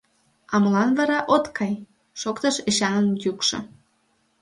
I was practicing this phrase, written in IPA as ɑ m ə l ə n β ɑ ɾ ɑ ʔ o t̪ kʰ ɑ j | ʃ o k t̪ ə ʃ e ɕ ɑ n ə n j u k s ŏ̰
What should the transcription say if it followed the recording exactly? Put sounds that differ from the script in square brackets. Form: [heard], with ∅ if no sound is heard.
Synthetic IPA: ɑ m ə l [ɑ] n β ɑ ɾ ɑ ʔ o t̪ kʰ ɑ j | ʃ o k t̪ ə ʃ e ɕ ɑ n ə n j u k [ʃ] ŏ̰